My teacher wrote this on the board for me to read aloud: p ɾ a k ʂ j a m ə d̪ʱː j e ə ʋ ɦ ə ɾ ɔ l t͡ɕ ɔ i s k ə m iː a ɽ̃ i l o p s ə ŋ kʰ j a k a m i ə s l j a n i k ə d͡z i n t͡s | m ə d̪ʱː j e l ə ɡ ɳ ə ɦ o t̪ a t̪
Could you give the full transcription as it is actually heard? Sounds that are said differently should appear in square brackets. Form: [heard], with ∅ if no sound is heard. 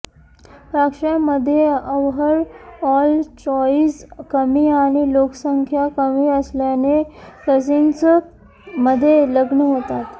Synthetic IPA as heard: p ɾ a k ʂ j a m ə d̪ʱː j e ə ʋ ɦ ə ɾ ɔ l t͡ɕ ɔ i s k ə m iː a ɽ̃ i l o [k] s ə ŋ kʰ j a k [ə] m i ə s l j a n [e] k ə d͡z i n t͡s | m ə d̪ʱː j e l ə ɡ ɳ ə ɦ o t̪ a t̪